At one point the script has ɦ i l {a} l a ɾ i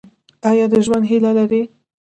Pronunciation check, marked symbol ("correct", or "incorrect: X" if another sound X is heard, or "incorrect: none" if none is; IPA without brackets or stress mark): correct